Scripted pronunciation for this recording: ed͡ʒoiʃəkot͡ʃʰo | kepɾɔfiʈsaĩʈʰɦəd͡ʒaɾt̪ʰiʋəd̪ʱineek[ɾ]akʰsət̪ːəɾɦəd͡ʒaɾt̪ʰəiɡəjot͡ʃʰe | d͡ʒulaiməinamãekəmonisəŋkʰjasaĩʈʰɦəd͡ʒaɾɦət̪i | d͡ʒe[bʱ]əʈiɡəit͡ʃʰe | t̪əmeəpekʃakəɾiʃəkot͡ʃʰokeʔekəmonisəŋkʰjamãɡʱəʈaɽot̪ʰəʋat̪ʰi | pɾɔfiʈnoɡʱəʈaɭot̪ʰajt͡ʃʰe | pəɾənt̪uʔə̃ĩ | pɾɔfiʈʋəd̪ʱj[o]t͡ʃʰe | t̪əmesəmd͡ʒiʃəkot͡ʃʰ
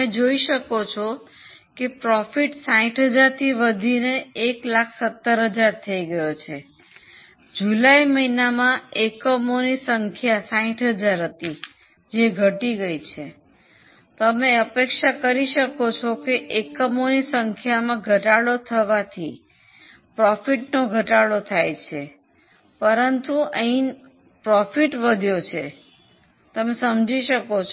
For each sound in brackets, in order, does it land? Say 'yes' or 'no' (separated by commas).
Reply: no, no, yes